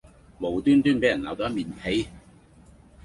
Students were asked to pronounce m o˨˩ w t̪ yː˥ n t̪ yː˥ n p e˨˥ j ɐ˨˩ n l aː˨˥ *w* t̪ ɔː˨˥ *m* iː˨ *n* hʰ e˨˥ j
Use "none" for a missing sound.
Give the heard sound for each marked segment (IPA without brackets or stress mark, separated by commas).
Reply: w, m, n